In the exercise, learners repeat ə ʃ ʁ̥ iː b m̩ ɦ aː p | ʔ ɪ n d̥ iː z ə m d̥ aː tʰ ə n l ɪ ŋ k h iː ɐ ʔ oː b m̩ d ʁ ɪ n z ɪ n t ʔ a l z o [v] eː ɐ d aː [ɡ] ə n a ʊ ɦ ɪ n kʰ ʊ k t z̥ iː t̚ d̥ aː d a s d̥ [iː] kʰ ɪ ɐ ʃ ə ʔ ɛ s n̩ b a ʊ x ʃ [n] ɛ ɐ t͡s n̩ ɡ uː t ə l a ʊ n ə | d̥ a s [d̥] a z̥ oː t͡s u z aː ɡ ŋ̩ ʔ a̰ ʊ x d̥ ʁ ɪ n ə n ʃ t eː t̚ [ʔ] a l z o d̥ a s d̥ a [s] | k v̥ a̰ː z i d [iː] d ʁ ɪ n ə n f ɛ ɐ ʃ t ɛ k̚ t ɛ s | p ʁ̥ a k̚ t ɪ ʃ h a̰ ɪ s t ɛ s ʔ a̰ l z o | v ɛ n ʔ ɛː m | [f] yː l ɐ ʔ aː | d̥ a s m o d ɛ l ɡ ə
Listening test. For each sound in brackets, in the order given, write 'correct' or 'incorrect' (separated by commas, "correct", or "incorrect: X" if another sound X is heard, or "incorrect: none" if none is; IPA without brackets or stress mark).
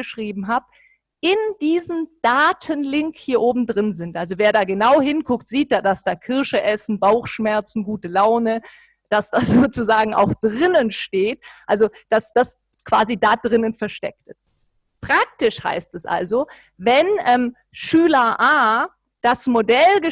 correct, correct, incorrect: aː, incorrect: m, correct, correct, correct, incorrect: aː, incorrect: ʃ